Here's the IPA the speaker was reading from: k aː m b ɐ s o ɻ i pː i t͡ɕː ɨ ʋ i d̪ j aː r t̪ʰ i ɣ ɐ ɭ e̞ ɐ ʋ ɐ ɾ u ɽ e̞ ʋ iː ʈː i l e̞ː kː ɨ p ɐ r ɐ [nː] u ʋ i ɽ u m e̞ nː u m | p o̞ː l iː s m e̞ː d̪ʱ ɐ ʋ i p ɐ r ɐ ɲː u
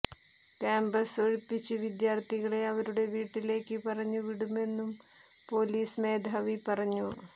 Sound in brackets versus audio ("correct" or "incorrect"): incorrect